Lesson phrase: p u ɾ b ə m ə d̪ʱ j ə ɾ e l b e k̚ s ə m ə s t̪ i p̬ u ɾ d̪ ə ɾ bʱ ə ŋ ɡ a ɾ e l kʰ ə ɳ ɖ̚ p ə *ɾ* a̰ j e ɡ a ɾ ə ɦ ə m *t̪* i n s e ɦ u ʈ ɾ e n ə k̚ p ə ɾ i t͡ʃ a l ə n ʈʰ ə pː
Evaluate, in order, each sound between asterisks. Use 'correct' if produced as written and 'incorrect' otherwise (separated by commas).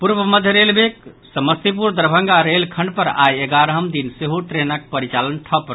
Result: correct, incorrect